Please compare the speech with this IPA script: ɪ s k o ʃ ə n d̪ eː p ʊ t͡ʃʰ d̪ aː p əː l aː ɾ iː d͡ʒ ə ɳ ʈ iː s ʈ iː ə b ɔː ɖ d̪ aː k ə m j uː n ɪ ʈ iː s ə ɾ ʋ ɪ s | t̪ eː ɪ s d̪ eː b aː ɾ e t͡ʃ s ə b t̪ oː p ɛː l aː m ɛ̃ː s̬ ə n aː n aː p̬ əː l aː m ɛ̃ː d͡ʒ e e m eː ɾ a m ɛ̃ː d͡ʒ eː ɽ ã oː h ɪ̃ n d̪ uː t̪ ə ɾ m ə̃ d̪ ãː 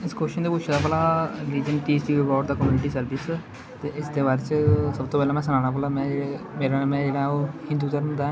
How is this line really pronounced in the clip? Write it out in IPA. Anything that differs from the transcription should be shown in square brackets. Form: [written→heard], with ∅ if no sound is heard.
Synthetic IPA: ɪ s k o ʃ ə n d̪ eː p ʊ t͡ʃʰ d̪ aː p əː l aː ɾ iː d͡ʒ ə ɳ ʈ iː s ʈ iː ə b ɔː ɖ d̪ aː k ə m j uː n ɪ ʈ iː s ə ɾ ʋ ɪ s | t̪ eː ɪ s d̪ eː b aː ɾ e t͡ʃ s ə b t̪ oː p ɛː l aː m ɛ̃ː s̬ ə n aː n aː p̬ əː l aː m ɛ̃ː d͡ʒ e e m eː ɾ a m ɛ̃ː d͡ʒ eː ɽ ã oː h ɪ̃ n d̪ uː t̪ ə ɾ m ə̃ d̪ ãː